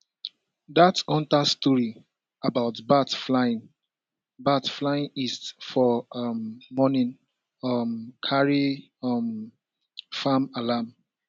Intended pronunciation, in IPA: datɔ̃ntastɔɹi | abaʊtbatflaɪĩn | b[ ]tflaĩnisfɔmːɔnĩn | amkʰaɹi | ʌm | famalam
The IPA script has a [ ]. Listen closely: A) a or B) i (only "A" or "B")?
A